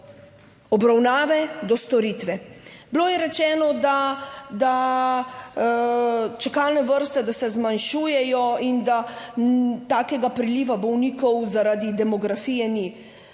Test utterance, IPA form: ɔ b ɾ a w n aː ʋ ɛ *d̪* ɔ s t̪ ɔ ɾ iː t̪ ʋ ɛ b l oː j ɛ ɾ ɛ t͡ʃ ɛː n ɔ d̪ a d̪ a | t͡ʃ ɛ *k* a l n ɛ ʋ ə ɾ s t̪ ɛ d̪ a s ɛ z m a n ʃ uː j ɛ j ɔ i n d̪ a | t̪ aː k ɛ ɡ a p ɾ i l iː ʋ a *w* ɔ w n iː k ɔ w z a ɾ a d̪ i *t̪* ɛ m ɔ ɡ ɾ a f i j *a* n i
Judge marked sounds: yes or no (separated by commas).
yes, yes, no, no, no